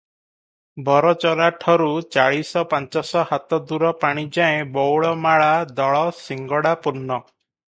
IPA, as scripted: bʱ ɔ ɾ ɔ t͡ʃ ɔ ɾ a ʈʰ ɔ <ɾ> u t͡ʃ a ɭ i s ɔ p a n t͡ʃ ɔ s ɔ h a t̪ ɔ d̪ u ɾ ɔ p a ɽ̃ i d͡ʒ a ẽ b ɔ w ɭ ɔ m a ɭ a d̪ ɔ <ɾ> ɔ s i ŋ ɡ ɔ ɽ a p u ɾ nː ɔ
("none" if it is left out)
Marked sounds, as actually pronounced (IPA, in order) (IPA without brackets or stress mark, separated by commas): ɾ, ɭ